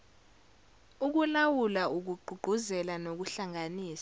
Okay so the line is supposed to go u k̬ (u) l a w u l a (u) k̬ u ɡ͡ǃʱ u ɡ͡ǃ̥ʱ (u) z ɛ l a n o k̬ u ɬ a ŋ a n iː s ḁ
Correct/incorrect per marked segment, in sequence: correct, correct, correct

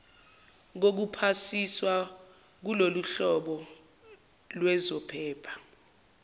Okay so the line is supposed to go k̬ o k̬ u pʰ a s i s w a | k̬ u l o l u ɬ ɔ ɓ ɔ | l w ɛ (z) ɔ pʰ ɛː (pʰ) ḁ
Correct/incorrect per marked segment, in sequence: correct, correct

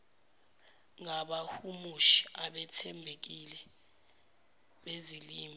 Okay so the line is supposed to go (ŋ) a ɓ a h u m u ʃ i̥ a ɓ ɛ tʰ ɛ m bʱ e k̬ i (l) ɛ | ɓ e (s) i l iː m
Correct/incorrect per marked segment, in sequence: correct, correct, incorrect: z

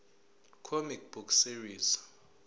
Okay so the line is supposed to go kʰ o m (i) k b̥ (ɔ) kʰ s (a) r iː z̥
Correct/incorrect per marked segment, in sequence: correct, incorrect: u, incorrect: i

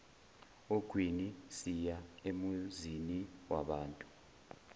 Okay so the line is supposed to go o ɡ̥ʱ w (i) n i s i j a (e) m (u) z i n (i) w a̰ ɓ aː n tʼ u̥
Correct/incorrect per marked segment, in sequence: correct, correct, correct, correct

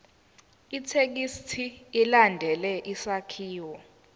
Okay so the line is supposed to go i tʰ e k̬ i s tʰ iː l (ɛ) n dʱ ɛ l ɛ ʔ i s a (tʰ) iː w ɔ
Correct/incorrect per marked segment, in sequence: incorrect: a, incorrect: kʰ

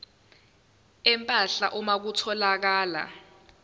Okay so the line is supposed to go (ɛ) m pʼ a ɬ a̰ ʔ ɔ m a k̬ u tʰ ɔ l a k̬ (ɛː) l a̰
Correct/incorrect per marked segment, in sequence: correct, incorrect: aː

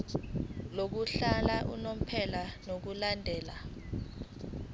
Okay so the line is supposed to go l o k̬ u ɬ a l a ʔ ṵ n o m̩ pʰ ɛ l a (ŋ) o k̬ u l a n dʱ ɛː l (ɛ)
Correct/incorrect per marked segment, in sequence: incorrect: n, incorrect: a

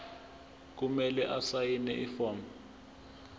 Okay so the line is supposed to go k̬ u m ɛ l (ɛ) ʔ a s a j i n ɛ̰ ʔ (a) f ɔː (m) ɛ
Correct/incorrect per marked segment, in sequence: correct, incorrect: i, correct

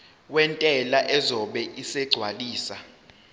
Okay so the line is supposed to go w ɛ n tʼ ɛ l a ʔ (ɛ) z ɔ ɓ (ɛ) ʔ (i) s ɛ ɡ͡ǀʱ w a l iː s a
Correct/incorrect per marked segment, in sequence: correct, correct, correct

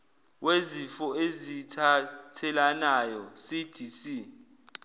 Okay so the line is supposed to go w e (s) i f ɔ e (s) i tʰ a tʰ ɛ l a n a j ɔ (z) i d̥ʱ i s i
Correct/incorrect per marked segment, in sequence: incorrect: z, incorrect: z, incorrect: s

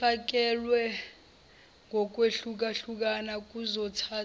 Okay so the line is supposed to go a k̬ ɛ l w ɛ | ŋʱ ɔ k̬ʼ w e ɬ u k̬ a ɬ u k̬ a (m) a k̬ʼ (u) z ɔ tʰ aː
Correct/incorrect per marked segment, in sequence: incorrect: n, correct

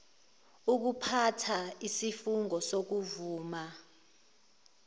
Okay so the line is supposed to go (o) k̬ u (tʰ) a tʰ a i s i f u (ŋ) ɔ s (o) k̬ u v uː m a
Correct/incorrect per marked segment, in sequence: incorrect: u, incorrect: pʰ, correct, correct

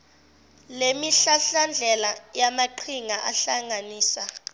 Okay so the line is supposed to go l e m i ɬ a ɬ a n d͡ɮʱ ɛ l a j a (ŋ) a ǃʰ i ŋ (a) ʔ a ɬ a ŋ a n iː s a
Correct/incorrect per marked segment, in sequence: incorrect: m, correct

